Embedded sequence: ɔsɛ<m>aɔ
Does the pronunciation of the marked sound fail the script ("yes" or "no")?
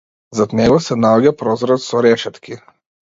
yes